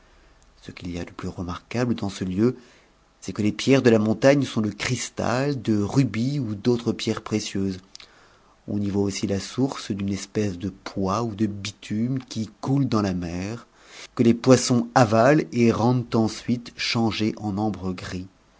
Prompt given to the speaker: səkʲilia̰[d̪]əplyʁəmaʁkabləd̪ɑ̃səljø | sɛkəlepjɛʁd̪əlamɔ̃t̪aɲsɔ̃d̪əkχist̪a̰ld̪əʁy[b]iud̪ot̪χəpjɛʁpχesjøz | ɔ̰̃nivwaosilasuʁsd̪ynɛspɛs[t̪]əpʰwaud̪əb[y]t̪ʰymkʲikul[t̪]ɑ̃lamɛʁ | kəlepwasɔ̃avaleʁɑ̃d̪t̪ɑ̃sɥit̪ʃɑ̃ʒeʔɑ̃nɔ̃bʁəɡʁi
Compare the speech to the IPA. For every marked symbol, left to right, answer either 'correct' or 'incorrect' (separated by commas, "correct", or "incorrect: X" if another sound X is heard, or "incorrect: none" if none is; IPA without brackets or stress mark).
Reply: correct, correct, incorrect: d̪, incorrect: i, incorrect: d̪